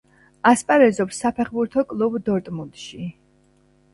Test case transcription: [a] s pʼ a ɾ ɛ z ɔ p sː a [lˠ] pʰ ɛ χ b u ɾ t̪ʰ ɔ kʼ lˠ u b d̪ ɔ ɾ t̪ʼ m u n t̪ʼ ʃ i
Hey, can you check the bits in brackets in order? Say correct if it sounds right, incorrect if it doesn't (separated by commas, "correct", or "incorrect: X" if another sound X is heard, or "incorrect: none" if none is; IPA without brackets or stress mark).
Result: correct, incorrect: none